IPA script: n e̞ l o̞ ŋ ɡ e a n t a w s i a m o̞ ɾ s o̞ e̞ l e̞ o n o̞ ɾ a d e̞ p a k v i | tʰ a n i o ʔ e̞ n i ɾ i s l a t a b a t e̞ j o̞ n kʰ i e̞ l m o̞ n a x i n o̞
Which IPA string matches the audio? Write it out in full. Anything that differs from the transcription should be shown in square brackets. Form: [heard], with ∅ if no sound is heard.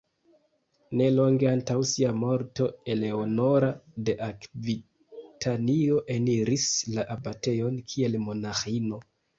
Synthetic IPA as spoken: n e̞ l o̞ ŋ ɡ e a n t a w s i a m o̞ ɾ [t] o̞ e̞ l e̞ o n o̞ ɾ a d e̞ [ʔ] a k v i | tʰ a n i o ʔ e̞ n i ɾ i s l a [ʔ] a b a t e̞ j o̞ n kʰ i e̞ l m o̞ n a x i n o̞